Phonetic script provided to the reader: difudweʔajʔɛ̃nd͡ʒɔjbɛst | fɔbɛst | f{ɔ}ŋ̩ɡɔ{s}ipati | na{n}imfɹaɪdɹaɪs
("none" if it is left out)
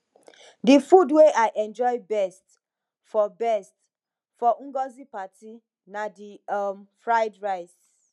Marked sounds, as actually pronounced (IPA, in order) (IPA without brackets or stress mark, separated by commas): ɔ, z, d